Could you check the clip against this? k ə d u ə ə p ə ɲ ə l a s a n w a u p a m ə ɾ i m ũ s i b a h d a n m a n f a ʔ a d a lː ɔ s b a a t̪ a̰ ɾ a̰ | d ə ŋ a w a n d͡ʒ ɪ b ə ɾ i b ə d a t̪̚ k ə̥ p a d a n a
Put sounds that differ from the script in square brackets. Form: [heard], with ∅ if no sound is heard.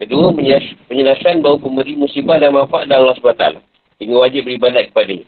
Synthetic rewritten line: k ə d u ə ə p ə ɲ ə l a s a n [b] a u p [ə] m ə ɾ i m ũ s i b a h d a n m a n f a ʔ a d a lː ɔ s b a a t̪ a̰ [l] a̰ | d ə ŋ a w a [∅] d͡ʒ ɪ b ə ɾ i b [a] d a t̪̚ k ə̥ p a d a [ɲ] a